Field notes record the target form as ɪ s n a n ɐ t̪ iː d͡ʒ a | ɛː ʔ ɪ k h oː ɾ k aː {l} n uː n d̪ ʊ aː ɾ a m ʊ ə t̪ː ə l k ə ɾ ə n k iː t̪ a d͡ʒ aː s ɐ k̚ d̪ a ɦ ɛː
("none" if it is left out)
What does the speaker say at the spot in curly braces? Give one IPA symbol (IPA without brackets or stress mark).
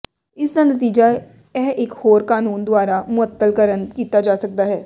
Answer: none